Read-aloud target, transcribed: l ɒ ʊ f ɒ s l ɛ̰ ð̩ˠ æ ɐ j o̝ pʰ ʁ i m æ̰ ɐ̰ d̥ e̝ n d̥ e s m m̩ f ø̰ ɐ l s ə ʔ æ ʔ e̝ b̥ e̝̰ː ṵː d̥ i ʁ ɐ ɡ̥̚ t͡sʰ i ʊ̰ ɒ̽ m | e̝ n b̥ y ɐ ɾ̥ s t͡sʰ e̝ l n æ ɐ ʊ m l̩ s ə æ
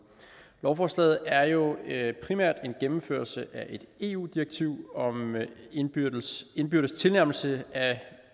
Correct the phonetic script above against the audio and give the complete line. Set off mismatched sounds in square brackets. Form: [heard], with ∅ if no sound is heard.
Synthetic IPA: l ɒ ʊ f ɒ s l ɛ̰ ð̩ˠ æ ɐ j o̝ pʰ ʁ i m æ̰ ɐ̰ d̥ e̝ n [ɡ̥] e [∅] m m̩ f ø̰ ɐ l s ə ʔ æ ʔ e̝ [d̥] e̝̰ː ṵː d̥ i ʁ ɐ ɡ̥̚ t͡sʰ i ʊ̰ ɒ̽ m | e̝ n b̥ y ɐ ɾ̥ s t͡sʰ e̝ l n æ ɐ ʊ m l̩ s ə æ